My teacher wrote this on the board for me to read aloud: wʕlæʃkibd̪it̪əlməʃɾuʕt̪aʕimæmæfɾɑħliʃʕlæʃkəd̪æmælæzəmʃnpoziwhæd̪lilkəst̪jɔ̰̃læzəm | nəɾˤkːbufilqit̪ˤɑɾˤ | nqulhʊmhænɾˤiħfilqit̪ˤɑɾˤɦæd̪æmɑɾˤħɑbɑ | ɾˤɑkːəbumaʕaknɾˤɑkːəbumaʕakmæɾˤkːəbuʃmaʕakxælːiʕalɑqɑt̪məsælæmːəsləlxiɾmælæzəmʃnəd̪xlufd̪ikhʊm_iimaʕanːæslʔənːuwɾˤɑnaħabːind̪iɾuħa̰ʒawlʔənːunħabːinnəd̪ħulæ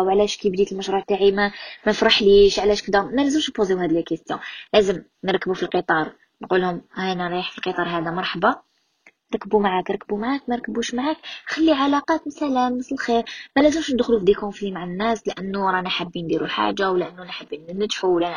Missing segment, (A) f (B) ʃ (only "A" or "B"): A